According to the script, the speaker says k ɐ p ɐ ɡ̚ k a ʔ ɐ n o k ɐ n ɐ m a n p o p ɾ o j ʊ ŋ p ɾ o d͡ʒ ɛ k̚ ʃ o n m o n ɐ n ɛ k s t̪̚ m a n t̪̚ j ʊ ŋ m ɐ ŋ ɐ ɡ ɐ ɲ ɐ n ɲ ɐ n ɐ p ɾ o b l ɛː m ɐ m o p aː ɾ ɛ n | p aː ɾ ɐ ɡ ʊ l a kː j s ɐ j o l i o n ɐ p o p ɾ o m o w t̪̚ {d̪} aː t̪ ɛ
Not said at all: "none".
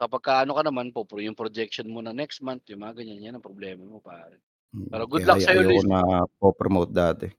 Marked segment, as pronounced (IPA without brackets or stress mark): d̪